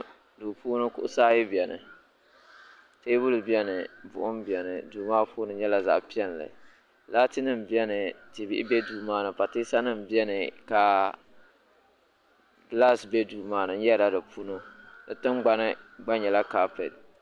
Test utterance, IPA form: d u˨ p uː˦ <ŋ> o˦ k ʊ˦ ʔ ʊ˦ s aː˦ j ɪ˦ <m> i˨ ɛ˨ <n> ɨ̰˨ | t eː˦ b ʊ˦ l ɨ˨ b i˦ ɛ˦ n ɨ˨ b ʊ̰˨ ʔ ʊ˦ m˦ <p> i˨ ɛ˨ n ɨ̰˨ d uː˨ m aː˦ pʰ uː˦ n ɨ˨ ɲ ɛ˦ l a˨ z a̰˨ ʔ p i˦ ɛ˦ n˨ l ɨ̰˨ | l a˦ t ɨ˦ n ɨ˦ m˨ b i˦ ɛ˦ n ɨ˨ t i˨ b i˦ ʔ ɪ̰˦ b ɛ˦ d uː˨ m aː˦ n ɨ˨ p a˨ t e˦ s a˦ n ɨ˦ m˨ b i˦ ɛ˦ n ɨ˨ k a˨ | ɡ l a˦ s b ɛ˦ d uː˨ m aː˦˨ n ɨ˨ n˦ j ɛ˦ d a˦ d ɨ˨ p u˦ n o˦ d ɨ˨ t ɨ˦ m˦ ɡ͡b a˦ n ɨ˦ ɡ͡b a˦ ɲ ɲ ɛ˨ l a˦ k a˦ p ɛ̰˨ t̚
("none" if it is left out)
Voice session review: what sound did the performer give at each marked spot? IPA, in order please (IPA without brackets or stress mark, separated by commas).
n, b, n, b